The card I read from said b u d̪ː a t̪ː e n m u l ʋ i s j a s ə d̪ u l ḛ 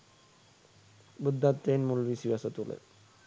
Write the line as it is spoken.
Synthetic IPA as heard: b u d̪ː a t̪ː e n m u l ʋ i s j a s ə t̪ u l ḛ